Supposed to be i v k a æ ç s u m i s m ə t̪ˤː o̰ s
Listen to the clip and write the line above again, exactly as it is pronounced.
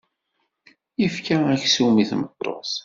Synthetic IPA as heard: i f k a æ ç s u m i θ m ə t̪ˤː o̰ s